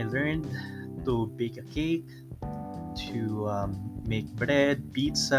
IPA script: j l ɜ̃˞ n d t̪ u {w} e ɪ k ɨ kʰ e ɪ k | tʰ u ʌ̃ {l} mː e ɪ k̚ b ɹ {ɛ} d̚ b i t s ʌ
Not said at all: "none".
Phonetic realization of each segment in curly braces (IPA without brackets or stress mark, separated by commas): b, none, ɛ